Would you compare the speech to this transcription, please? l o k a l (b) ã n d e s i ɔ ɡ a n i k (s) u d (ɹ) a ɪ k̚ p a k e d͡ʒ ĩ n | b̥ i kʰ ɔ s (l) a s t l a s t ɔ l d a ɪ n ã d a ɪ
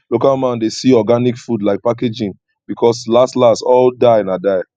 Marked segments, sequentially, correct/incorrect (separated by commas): incorrect, incorrect, incorrect, correct